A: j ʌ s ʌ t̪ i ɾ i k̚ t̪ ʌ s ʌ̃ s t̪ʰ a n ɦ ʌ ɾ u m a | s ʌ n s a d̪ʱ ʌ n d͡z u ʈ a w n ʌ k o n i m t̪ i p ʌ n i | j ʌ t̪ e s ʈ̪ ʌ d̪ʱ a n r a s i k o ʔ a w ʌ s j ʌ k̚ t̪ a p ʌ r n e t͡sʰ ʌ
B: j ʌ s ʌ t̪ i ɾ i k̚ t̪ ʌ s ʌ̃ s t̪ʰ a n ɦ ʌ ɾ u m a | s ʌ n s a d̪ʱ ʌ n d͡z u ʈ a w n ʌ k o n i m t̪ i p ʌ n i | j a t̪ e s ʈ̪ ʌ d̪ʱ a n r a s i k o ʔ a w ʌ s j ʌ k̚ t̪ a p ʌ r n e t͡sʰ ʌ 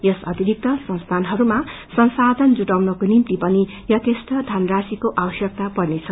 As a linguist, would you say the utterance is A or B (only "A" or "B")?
A